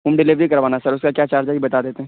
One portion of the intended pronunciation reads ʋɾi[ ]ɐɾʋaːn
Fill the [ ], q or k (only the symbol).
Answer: k